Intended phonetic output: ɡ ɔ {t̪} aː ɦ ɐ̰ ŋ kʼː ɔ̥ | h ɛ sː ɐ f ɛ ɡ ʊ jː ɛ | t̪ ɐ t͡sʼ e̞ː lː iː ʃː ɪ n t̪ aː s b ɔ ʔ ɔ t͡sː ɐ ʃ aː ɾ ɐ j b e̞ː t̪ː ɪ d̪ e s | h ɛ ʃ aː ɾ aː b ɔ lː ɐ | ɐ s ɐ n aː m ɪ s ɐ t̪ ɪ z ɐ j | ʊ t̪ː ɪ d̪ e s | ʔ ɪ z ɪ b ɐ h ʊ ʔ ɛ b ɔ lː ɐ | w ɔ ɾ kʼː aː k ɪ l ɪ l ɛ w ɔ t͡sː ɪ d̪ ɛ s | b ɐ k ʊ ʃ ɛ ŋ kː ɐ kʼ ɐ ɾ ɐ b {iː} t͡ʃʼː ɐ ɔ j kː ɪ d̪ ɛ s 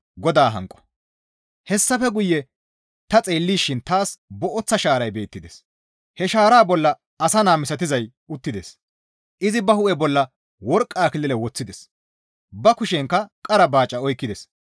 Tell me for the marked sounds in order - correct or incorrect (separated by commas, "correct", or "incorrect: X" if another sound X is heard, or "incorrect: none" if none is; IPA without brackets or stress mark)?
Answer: incorrect: d̪, incorrect: aː